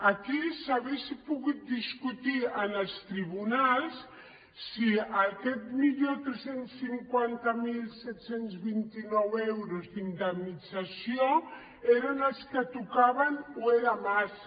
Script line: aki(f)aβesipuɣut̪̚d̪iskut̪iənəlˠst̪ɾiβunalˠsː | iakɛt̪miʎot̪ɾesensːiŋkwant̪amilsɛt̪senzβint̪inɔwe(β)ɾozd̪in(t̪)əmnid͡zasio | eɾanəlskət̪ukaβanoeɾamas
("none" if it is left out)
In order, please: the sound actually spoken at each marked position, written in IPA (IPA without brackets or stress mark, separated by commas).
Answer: s, w, d̪